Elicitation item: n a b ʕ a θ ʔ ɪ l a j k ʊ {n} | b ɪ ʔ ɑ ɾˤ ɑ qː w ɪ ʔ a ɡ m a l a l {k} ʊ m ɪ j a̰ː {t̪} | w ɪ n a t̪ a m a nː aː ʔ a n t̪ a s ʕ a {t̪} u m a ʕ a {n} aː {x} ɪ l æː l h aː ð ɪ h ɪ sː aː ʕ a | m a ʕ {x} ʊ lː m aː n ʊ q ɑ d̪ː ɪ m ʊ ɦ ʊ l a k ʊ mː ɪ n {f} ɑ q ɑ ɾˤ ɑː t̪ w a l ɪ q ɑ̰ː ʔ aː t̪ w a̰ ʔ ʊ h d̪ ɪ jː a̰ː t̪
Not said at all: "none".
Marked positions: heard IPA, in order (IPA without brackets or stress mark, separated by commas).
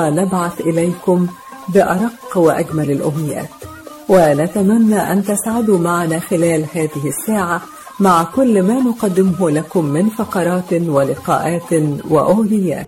m, ʔ, t̪, d̪, n, x, k, f